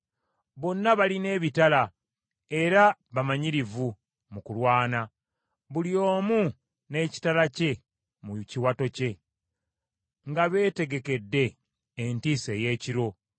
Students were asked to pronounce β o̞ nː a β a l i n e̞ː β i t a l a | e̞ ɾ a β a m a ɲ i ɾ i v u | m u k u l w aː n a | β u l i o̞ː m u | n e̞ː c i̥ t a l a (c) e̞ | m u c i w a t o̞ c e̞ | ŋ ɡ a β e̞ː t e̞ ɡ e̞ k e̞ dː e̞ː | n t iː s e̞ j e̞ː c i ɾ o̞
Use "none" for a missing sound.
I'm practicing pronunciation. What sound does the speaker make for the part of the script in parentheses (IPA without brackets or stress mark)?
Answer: c